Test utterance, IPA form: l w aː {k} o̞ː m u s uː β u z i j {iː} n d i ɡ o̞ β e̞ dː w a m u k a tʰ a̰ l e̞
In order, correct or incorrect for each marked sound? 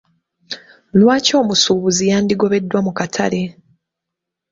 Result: incorrect: c, incorrect: aː

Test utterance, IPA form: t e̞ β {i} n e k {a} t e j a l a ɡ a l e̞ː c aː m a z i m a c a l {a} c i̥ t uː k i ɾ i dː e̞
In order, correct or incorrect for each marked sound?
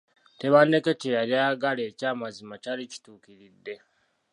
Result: incorrect: a, incorrect: e, incorrect: i

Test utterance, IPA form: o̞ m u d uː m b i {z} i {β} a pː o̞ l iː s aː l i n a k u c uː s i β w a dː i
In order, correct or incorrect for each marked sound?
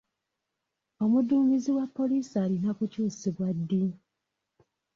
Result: correct, incorrect: w

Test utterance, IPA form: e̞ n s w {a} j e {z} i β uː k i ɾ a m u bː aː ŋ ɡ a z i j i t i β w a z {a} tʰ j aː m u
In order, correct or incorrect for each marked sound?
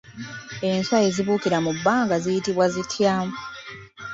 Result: correct, correct, incorrect: i

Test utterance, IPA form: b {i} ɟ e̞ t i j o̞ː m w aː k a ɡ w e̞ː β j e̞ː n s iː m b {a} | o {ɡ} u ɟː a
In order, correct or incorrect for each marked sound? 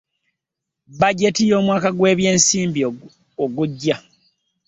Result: incorrect: a, incorrect: i, correct

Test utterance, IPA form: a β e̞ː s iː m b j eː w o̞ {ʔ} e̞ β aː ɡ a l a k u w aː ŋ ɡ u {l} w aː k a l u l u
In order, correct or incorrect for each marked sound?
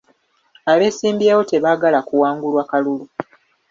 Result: incorrect: t, correct

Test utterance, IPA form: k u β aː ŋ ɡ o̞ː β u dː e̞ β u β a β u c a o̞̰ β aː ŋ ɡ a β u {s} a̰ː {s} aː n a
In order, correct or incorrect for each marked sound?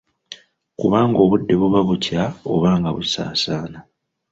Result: correct, correct

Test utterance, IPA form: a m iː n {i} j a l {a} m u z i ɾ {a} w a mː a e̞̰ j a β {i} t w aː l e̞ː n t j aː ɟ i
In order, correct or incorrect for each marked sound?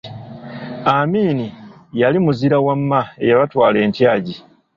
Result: correct, incorrect: i, correct, incorrect: a

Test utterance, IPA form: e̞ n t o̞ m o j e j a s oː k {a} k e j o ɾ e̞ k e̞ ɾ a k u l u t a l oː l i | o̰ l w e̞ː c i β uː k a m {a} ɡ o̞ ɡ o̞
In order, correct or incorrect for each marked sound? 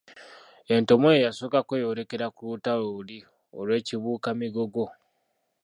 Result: correct, incorrect: i

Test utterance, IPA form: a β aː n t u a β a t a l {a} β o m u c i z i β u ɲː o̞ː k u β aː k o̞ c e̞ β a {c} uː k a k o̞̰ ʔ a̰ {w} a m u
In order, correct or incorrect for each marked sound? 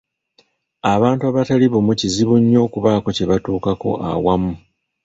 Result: incorrect: i, incorrect: t, correct

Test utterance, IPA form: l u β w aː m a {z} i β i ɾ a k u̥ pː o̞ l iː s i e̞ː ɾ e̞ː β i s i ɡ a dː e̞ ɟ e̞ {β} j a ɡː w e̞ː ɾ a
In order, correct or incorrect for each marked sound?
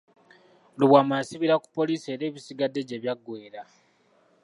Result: incorrect: s, correct

